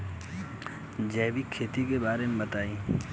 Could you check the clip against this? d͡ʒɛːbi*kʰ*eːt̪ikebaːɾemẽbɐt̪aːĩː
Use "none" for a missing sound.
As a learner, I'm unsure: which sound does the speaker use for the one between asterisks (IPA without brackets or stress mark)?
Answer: kʰ